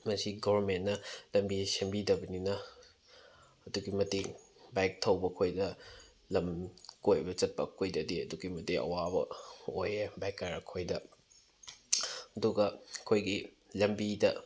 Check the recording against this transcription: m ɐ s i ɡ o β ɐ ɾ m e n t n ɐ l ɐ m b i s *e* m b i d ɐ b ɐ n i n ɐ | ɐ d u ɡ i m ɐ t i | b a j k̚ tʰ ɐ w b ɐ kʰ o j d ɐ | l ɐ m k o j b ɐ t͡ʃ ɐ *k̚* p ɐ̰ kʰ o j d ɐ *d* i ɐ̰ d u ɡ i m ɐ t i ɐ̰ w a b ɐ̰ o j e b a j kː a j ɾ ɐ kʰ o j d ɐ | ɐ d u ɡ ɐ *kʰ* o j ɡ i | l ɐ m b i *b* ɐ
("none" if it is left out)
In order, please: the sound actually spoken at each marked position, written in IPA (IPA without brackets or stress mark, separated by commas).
e, t̚, d, kʰ, d